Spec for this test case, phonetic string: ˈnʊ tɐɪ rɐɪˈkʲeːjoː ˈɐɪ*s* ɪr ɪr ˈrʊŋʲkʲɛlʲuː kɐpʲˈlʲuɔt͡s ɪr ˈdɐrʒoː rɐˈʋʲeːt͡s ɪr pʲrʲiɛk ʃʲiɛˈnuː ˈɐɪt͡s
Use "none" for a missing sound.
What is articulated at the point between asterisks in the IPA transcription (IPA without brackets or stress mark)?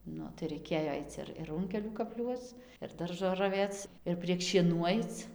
t͡s